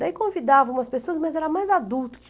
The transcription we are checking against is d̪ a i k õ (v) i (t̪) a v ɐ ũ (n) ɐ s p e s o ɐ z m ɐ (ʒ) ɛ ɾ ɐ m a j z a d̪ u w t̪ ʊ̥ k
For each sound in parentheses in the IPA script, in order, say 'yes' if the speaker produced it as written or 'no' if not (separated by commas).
yes, no, no, no